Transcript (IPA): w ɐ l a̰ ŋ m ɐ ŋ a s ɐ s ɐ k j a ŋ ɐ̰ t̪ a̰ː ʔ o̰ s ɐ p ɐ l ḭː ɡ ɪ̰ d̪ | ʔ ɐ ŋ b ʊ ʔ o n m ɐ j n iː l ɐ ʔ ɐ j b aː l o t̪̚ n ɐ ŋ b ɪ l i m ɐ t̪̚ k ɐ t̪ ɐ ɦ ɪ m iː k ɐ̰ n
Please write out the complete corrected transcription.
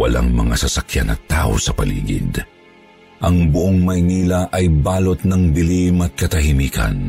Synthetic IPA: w ɐ l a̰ ŋ m ɐ ŋ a s ɐ s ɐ k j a n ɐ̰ t̪ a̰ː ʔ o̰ s ɐ p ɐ l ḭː ɡ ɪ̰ d̪ | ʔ ɐ ŋ b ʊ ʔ o ŋ m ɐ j n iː l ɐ ʔ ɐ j b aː l o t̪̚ n ɐ ŋ b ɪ l i m ɐ t̪̚ k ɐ t̪ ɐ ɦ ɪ m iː k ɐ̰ n